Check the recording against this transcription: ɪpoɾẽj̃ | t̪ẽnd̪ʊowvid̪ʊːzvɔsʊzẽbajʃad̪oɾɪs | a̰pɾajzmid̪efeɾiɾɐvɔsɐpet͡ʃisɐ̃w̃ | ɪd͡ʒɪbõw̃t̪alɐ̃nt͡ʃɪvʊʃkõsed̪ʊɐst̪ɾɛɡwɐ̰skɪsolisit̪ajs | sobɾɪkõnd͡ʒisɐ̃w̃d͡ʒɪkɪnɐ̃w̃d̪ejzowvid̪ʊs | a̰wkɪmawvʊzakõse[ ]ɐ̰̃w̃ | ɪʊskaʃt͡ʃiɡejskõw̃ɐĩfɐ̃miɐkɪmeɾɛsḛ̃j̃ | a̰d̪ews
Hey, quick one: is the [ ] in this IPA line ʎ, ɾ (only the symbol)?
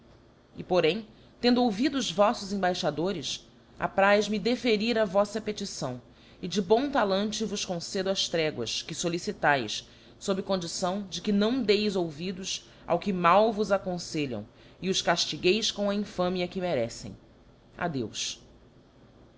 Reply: ʎ